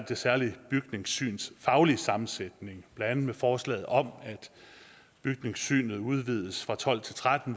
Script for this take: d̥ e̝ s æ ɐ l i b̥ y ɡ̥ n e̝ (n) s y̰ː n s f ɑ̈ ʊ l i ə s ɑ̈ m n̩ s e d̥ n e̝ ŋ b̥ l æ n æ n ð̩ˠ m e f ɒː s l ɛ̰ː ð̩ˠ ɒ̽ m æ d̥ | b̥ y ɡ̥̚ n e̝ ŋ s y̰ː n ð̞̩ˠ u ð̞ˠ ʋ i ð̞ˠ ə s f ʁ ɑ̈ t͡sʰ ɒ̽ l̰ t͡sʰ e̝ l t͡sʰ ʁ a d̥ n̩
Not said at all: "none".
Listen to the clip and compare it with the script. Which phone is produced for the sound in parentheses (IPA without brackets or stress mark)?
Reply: ŋ